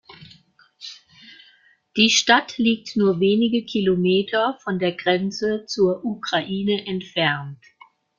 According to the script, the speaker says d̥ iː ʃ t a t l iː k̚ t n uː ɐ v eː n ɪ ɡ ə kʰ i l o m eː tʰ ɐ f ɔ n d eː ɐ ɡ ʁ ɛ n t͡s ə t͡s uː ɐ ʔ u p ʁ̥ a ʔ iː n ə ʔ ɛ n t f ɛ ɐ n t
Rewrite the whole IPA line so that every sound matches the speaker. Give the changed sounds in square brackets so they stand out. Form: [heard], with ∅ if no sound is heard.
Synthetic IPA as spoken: d̥ iː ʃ t a t l iː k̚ t n uː ɐ v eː n ɪ ɡ ə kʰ i l o m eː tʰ ɐ f ɔ n d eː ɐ ɡ ʁ ɛ n t͡s ə t͡s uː ɐ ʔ u [k] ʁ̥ a ʔ iː n ə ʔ ɛ n t f ɛ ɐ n t